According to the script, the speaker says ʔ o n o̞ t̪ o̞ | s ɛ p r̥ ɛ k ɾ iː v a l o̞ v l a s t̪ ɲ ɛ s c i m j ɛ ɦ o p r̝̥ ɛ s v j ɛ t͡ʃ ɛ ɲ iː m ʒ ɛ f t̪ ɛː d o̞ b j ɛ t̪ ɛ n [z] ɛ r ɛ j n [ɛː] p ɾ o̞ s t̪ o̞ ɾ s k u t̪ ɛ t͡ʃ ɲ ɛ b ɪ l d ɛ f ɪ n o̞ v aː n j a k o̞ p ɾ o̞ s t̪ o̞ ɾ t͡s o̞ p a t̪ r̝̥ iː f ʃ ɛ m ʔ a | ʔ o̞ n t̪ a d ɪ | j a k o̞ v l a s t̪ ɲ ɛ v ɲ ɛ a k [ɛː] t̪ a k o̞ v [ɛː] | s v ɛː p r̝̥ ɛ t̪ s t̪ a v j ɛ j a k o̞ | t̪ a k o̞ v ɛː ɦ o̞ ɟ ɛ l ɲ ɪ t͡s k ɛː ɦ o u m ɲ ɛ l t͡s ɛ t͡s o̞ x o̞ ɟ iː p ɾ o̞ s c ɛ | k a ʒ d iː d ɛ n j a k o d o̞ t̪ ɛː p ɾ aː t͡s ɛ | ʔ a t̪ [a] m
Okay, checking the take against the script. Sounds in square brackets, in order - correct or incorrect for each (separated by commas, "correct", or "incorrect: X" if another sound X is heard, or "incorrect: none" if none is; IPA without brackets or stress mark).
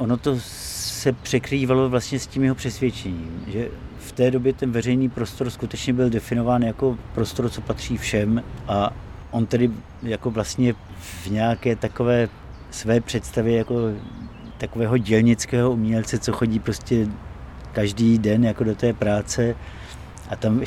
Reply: incorrect: v, incorrect: iː, correct, correct, correct